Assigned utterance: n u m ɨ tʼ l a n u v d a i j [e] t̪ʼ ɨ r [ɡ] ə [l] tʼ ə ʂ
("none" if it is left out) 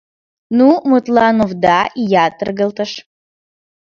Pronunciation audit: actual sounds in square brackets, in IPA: a, ɡ, l

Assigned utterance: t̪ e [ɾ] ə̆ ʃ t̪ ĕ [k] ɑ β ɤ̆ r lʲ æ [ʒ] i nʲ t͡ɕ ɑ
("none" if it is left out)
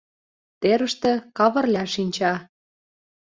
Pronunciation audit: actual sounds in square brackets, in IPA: ɾ, k, ʃ

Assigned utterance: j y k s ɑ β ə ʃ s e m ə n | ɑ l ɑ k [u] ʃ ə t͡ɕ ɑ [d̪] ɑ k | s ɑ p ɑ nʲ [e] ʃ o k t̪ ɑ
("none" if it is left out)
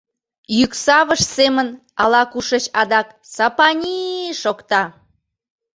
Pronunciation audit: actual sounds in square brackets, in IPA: u, d̪, i

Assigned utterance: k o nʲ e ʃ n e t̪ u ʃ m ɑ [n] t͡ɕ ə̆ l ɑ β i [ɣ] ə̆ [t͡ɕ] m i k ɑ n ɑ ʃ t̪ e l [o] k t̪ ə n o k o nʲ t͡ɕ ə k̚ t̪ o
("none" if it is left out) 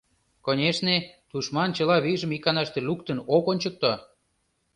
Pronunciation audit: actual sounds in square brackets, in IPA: n, ʒ, none, u

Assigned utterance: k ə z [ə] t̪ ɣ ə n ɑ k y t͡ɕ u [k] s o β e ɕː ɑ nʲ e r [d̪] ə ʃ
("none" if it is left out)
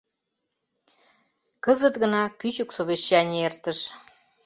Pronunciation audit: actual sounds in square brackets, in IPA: ə, k, t̪

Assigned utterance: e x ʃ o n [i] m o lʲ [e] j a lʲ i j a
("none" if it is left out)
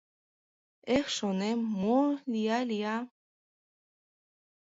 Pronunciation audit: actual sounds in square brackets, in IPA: e, i

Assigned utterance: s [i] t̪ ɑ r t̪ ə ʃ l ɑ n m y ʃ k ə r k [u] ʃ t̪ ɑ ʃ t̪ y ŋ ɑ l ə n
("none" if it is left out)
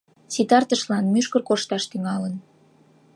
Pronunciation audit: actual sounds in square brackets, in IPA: i, o

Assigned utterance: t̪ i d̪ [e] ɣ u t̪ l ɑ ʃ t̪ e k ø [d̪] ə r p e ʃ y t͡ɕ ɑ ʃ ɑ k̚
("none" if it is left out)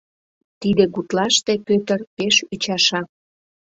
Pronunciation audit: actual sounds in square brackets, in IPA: e, t̪

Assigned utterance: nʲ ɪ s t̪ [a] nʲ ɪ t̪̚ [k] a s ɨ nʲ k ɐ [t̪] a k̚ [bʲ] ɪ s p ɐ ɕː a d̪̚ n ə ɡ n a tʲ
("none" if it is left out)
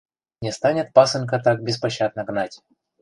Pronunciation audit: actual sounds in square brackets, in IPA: a, p, t̪, bʲ

